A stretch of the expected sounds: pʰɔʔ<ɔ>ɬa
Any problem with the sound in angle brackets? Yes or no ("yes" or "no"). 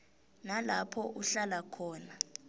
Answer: yes